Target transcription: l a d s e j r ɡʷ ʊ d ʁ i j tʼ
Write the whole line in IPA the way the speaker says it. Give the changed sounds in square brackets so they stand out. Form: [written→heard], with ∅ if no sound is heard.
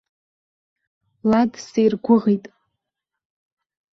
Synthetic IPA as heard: l a d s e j r ɡʷ ʊ [d→∅] ʁ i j tʼ